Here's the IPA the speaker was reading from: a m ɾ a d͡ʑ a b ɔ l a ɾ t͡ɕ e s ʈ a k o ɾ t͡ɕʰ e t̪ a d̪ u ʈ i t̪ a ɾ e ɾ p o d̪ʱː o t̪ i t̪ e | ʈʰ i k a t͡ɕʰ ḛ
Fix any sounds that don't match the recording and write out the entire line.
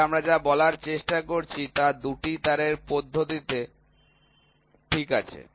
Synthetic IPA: a m ɾ a d͡ʑ a b ɔ l a ɾ t͡ɕ e ʃ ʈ a k o ɾ t͡ɕʰ i t̪ a d̪ u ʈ i t̪ a ɾ e ɾ p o d̪ʱː o t̪ i t̪ e | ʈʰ i k a t͡ɕʰ ḛ